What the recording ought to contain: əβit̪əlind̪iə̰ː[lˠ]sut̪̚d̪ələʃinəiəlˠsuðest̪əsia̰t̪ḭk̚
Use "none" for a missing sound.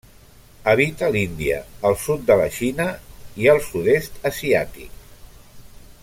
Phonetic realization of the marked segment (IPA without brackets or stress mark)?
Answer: lˠ